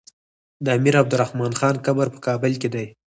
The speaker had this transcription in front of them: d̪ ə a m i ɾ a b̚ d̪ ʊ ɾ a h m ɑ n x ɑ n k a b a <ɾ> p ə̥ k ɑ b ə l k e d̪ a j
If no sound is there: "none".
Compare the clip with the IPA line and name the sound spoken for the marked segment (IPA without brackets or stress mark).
ɾ